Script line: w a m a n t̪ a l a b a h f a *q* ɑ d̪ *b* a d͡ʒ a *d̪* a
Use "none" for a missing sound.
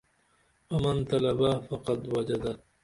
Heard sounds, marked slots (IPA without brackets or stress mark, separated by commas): q, w, d̪